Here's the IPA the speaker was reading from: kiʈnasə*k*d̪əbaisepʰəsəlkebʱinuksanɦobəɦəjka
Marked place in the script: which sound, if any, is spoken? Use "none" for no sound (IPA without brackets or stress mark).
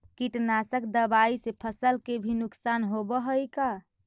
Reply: k